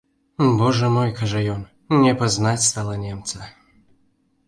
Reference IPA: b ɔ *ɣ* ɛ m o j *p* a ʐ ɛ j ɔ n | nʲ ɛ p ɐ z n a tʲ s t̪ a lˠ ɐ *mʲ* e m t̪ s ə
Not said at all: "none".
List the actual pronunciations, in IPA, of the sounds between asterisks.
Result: ʐ, k, nʲ

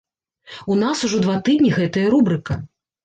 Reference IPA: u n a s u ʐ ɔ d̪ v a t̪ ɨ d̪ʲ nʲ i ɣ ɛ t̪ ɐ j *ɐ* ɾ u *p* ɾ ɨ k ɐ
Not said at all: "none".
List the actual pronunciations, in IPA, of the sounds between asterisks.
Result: ɐ, b

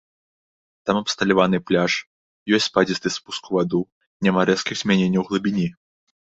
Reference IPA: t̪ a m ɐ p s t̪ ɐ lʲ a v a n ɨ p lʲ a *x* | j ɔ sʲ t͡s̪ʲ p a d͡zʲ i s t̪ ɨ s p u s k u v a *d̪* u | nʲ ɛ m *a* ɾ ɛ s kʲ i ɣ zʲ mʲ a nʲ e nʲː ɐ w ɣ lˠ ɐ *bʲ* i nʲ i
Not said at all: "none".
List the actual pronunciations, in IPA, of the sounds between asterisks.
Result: ʂ, d̪, a, bʲ

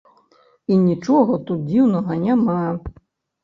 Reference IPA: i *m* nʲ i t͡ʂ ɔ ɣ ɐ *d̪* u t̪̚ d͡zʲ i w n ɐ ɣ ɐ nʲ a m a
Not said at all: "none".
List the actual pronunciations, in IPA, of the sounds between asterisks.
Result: none, t̪

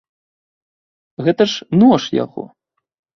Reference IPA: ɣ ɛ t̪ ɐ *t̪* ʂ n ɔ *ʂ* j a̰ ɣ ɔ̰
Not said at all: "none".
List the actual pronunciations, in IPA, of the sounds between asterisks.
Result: none, ʂ

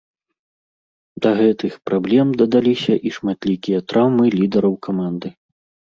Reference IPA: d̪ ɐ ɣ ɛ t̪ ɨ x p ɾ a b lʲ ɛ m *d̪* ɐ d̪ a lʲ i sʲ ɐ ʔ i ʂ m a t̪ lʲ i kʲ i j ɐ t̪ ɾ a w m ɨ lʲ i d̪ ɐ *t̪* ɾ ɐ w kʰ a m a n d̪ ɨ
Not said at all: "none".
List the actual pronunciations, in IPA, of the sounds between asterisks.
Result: d̪, none

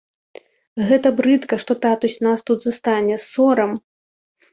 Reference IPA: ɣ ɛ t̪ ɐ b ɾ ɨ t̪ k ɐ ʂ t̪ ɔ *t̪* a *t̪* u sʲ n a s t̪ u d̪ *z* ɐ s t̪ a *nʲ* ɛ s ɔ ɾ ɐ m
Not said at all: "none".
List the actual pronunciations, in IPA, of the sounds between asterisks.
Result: t̪, t̪, z, nʲ

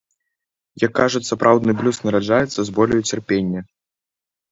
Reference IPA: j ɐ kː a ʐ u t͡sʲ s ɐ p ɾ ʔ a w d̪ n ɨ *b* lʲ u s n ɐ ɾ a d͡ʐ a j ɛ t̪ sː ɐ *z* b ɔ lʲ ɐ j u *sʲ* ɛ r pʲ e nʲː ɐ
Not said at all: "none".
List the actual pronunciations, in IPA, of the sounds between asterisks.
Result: b, z, t͡sʲ

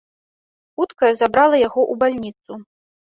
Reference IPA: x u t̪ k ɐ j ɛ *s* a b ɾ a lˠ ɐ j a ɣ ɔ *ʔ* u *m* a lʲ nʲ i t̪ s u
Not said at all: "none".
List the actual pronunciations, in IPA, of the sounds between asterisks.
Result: z, ʔ, b

